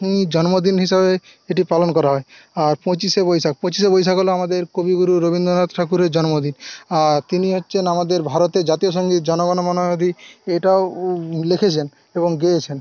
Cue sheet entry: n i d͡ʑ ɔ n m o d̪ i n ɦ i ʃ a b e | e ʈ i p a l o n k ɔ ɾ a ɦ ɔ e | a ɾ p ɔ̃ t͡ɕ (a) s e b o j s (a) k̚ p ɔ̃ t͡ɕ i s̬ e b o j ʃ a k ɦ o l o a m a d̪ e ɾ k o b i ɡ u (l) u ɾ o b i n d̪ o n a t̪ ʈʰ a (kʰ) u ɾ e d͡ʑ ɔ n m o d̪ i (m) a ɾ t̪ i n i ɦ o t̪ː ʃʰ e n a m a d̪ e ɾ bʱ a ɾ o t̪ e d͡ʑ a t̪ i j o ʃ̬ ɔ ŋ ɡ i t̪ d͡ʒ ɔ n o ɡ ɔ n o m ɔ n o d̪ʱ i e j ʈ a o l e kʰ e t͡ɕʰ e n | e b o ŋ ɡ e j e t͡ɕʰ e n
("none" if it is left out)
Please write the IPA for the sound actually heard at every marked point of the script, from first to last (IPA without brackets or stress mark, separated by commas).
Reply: i, a, ɾ, k, n